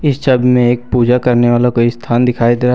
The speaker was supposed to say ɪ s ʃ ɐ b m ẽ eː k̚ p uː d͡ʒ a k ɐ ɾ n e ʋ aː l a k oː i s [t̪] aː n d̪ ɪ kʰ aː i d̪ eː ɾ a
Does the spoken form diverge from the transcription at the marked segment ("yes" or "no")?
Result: yes